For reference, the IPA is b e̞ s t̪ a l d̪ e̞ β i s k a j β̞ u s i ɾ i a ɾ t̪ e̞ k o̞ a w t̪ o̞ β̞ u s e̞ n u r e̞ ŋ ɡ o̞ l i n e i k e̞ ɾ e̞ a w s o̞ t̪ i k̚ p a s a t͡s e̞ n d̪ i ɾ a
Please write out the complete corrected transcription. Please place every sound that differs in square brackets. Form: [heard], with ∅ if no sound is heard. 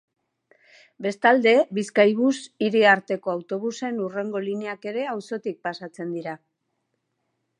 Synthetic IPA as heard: b e̞ s t̪ a l d̪ e̞ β i s k a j β̞ u s i ɾ i a ɾ t̪ e̞ k o̞ a w t̪ o̞ β̞ u s e̞ n u r e̞ ŋ ɡ o̞ l i n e [a] k e̞ ɾ e̞ a w s o̞ t̪ i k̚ p a s a t͡s e̞ n d̪ i ɾ a